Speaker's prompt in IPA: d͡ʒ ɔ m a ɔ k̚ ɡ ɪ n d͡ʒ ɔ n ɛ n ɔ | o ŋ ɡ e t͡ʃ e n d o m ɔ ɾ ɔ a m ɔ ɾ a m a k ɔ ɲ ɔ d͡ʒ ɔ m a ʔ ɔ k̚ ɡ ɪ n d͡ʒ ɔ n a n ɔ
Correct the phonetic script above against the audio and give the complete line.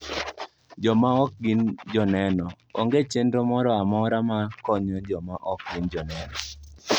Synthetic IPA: d͡ʒ ɔ m a ɔ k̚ ɡ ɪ n d͡ʒ ɔ n ɛ n ɔ | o ŋ ɡ e t͡ʃ e n d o m ɔ ɾ ɔ a m ɔ ɾ a m a k ɔ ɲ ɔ d͡ʒ ɔ m a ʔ ɔ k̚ ɡ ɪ n d͡ʒ ɔ n ɛ n ɔ